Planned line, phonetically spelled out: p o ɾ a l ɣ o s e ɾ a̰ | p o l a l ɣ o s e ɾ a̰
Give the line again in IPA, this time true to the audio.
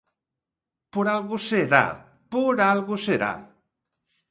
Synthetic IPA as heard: p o ɾ a l ɣ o s e ɾ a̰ | p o ɾ a l ɣ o s e ɾ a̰